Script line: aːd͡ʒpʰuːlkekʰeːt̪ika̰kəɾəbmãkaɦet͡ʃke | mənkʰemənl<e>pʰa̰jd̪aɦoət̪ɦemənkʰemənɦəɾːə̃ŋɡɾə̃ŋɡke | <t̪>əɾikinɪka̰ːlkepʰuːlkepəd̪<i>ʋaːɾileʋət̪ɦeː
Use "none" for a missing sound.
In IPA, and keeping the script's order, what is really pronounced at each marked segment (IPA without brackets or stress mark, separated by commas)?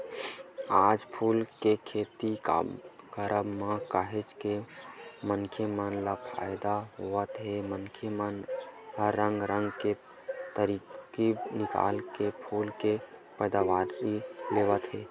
a, t̪, a